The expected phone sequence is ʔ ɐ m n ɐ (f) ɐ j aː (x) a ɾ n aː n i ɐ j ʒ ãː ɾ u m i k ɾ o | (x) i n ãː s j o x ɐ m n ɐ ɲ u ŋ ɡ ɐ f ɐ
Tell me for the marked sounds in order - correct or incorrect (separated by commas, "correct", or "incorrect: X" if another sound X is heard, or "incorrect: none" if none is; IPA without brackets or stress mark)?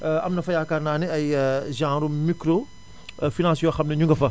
correct, incorrect: k, incorrect: f